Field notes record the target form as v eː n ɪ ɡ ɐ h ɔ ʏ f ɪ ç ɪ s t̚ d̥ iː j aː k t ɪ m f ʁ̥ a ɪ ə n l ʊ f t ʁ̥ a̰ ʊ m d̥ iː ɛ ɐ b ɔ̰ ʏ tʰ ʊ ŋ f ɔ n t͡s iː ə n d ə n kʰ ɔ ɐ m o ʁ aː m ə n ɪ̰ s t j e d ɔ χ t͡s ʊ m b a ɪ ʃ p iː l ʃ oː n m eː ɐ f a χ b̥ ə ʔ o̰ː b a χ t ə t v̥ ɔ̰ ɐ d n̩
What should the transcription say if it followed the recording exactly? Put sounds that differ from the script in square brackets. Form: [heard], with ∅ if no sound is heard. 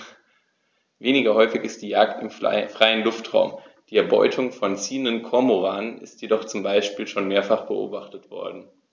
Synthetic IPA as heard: v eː n ɪ ɡ ɐ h ɔ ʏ f ɪ ç ɪ s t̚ d̥ iː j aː k t ɪ m f ʁ̥ a ɪ ə n l ʊ f t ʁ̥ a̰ ʊ m d̥ iː ɛ ɐ b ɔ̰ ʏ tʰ ʊ ŋ f ɔ n t͡s iː ə n d ə n kʰ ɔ ɐ m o ʁ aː [n] ə n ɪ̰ s t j e d ɔ χ t͡s ʊ m b a ɪ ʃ p iː l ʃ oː n m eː ɐ f a χ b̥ ə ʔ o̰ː b a χ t ə t v̥ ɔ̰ ɐ d n̩